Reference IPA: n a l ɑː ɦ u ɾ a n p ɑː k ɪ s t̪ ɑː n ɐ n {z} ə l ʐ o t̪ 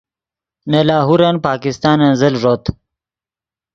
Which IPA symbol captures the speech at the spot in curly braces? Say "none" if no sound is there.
z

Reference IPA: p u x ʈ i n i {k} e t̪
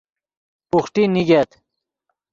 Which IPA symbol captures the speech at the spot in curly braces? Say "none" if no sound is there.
ɡ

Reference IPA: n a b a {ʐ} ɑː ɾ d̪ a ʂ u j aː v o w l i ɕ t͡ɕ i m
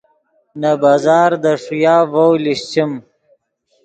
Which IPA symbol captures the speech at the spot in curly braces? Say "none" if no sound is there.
z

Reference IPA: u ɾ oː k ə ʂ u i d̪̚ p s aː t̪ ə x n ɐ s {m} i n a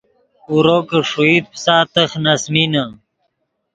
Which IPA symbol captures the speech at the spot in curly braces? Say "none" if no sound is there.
m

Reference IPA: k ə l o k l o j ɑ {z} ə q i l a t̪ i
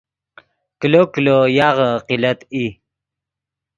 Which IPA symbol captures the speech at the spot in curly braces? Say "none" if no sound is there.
ʁ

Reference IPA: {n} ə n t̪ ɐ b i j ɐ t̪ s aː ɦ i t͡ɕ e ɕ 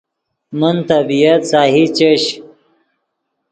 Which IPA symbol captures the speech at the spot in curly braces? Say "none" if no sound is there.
m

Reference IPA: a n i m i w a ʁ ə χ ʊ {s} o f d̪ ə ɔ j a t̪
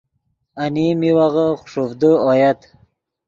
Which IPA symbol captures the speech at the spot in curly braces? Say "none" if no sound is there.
ʂ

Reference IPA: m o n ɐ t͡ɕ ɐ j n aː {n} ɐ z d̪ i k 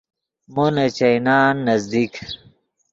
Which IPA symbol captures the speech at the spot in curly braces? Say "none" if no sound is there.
nː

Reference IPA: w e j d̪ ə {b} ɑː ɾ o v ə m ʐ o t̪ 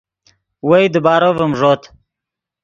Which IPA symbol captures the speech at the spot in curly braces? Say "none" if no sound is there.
b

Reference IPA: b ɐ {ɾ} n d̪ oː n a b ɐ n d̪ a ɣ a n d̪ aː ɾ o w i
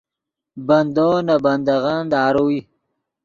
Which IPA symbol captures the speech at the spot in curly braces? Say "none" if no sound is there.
none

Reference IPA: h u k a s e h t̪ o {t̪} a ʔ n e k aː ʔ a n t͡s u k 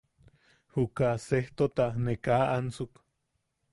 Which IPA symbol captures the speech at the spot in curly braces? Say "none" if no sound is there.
t̪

